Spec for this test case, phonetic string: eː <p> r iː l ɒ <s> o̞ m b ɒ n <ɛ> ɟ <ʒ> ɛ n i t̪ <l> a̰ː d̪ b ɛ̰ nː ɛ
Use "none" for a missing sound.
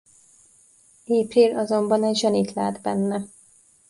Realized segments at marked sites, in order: p, z, ɛ, ʒ, l

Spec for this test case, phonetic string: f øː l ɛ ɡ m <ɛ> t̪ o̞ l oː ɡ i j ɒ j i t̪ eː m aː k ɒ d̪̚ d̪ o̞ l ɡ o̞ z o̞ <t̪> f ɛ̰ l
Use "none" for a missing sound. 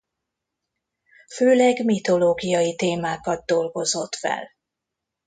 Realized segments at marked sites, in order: i, t̪

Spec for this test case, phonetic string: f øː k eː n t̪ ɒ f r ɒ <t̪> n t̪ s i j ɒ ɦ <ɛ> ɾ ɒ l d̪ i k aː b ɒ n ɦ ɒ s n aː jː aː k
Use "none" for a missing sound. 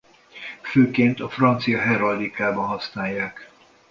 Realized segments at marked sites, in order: none, ɛ

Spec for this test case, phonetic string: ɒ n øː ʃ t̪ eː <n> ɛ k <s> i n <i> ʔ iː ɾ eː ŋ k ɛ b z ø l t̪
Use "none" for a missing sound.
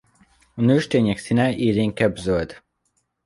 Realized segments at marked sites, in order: ɲ, s, ɛ

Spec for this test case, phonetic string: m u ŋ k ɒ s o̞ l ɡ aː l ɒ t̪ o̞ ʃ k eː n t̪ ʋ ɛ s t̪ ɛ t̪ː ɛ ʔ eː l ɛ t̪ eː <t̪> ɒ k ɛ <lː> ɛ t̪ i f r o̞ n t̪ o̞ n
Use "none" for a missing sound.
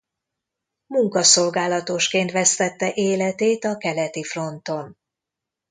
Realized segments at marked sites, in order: t̪, l

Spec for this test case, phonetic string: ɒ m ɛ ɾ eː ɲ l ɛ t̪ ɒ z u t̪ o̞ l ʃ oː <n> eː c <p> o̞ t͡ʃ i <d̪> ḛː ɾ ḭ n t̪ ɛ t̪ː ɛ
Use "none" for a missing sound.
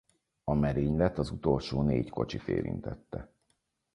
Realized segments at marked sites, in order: n, k, t̪

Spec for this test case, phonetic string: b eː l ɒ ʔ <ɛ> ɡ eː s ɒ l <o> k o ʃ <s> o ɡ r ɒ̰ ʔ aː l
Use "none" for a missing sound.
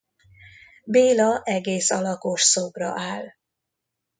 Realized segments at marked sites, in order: ɛ, ɒ, s

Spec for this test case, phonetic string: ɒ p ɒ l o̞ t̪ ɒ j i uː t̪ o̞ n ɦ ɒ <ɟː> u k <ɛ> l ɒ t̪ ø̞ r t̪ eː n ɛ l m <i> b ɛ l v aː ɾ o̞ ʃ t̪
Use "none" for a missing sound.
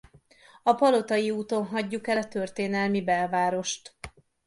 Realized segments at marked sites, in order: ɟː, ɛ, i

